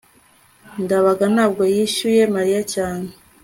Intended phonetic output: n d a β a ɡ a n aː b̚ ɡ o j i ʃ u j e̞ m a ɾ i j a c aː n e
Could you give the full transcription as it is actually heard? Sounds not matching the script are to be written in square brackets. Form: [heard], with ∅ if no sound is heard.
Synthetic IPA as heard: n d a β a ɡ a n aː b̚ ɡ o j i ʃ u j e̞ m a ɾ i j a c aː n e